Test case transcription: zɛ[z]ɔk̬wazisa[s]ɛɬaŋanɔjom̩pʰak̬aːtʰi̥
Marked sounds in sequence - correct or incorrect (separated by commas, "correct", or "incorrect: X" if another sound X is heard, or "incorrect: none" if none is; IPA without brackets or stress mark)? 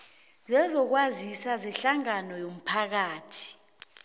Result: correct, incorrect: z